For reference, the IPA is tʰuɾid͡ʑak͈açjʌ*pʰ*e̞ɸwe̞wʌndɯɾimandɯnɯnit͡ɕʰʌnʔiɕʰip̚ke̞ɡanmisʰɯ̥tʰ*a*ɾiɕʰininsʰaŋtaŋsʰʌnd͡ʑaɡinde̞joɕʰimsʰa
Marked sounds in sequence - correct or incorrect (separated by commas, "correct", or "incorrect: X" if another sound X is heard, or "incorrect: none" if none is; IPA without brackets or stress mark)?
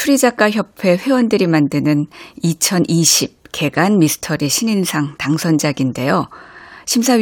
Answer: correct, incorrect: ʌ